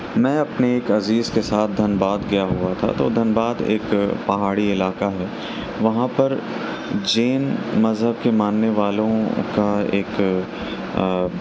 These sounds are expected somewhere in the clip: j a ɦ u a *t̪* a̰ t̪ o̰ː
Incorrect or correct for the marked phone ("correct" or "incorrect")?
incorrect